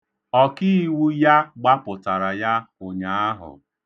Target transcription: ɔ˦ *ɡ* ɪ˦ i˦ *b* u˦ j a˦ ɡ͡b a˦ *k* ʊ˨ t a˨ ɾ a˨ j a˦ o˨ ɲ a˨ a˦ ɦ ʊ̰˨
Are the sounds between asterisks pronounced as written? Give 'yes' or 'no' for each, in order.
no, no, no

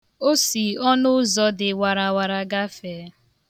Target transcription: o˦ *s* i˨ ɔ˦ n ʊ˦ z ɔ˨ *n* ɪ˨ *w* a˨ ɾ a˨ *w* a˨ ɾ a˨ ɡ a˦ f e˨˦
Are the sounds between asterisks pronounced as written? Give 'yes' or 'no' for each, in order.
yes, no, yes, yes

